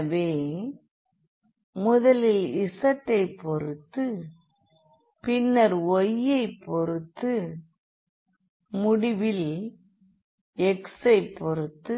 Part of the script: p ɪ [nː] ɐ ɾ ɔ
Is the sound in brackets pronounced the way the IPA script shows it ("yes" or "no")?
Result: yes